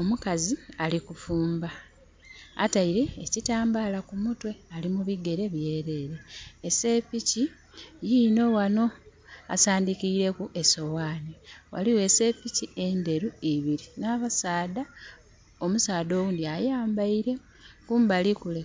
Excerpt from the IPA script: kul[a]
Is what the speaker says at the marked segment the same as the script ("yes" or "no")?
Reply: no